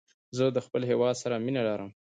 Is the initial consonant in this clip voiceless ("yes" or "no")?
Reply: no